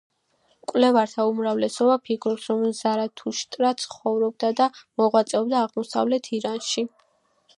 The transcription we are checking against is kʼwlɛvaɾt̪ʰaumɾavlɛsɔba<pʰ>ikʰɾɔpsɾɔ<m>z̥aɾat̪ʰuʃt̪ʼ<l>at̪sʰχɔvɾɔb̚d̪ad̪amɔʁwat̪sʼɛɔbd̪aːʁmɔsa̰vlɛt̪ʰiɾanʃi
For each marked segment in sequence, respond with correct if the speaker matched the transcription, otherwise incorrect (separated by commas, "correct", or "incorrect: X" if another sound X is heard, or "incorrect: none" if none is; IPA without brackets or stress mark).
correct, correct, incorrect: ɾ